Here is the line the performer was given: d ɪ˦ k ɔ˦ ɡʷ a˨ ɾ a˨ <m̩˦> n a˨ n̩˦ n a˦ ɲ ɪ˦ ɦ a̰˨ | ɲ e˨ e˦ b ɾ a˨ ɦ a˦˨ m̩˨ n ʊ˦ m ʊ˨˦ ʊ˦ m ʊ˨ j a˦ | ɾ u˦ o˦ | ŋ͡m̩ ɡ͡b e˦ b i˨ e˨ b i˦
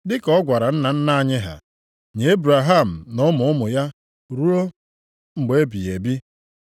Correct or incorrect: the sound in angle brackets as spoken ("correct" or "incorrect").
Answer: incorrect